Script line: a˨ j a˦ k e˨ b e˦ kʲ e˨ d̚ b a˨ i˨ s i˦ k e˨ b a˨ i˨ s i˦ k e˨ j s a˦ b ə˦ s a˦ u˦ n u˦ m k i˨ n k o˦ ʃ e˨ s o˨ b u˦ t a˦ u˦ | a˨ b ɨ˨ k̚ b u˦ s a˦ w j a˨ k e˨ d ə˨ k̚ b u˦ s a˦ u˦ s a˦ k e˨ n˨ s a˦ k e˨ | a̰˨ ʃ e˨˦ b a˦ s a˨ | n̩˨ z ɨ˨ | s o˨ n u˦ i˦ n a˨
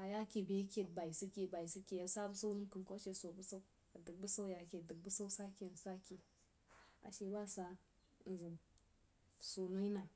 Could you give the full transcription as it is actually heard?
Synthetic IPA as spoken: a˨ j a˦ k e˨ b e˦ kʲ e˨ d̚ b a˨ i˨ s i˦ k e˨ b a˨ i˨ s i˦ k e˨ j s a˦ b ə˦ s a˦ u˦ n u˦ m k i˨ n k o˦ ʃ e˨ s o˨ b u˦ s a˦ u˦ | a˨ d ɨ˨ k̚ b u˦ s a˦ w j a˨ k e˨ d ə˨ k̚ b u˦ s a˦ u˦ s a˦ k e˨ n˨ s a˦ k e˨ | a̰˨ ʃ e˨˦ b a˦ s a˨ | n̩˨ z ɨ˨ | s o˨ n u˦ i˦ n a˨